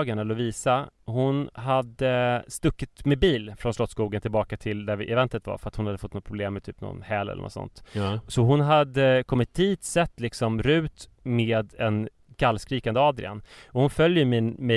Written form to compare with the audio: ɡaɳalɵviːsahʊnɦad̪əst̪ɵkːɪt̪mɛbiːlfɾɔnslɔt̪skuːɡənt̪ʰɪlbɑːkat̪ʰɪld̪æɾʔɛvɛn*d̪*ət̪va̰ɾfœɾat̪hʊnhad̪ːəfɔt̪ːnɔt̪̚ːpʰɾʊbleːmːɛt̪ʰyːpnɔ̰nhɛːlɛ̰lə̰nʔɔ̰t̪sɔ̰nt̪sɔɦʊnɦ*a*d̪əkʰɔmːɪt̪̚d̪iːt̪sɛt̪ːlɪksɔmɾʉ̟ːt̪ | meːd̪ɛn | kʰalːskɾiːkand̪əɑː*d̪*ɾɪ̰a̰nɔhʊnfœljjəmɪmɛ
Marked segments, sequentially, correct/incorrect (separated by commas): incorrect, correct, correct